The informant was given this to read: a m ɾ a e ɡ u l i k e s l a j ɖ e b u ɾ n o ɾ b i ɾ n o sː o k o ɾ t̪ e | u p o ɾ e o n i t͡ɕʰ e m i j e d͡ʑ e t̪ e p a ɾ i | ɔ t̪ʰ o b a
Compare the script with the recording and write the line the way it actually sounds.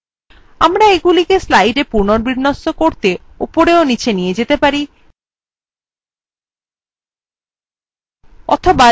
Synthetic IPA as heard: a m ɾ a e ɡ u l i k e s l a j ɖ e p u ɾ n o ɾ b i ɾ n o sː o k o ɾ t̪ e | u p o ɾ e o n i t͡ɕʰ e n i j e d͡ʑ e t̪ e p a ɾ i | ɔ t̪ʰ o b a